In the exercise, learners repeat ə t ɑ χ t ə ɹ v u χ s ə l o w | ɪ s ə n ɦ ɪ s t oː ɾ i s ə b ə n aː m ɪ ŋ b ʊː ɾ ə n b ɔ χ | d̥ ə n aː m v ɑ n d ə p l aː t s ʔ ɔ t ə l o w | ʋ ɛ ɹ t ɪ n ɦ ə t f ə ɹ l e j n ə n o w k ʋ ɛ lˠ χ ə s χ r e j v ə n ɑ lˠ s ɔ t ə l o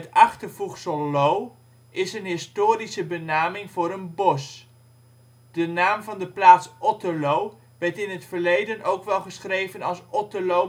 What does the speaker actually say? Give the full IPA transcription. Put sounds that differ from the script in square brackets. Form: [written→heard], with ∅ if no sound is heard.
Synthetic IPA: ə t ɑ χ t ə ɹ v u χ s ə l o w | ɪ s ə n ɦ ɪ s t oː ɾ i s ə b ə n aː m ɪ ŋ [b→v] ʊː ɾ ə n b ɔ [χ→s] | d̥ ə n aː m v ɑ n d ə p l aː t s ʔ ɔ t ə l o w | ʋ ɛ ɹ t ɪ n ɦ ə t f ə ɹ l e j [n→d] ə n o w k ʋ ɛ lˠ χ ə s χ r e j v ə n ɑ lˠ s ɔ t ə l o

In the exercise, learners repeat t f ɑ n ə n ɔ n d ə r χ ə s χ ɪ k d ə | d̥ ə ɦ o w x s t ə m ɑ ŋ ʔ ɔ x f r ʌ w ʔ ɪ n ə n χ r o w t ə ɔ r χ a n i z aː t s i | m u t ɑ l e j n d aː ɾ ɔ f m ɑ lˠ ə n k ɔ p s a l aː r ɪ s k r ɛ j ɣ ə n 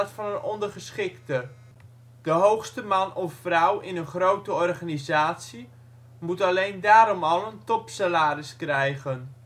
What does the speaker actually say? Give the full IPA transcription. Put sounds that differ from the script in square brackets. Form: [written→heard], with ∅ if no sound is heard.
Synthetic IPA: t f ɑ n ə n ɔ n d ə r χ ə s χ ɪ k [d→t] ə | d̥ ə ɦ o w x s t ə m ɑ [ŋ→n] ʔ ɔ [x→f] f r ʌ w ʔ ɪ n ə n χ r o w t ə ɔ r χ a n i z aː t s i | m u t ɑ l e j n d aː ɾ ɔ [f→∅] m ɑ lˠ ə n [k→t] ɔ p s a l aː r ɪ s k r ɛ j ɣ ə n

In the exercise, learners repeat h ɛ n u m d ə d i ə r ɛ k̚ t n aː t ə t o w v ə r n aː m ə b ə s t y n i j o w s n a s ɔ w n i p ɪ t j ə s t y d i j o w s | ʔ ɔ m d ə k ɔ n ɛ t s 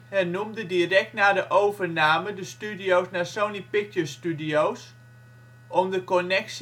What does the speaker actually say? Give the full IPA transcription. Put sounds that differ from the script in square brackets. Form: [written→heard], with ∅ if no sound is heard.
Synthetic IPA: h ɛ n u m d ə d i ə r ɛ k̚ t n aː [t→d] ə [t→ʔ] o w v ə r n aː m ə [b→d] ə s t y [n→d] i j o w s n a s [ɔ→o] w n i p ɪ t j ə s t y d i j o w s | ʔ ɔ m d ə k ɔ n ɛ [t→k] s

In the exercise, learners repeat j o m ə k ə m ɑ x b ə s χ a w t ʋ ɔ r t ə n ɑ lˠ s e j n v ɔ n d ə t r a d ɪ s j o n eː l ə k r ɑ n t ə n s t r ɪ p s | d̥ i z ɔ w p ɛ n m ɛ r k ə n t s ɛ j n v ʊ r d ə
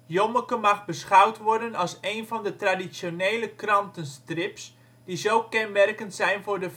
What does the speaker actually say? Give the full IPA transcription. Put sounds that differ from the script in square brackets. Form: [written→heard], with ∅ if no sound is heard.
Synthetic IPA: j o m ə k ə m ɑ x b ə s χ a w t ʋ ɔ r [t→d] ə n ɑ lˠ s e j n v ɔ n d ə t r a d [ɪ→i] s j o n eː l ə k r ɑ n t ə n s t r ɪ p s | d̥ i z [ɔ→o] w [p→k] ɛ n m ɛ r k ə n t s ɛ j n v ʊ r d ə

